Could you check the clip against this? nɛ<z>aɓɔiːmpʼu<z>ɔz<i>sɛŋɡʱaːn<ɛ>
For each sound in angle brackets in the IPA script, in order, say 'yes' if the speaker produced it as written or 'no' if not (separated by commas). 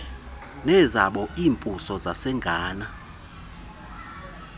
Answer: yes, no, no, no